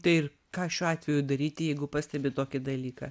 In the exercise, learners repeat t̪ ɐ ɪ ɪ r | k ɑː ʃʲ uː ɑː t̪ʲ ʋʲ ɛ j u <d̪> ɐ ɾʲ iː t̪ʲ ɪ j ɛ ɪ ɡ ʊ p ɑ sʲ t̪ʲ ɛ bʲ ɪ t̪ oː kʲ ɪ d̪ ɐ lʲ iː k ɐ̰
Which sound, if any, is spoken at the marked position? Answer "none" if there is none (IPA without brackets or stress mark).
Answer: d̪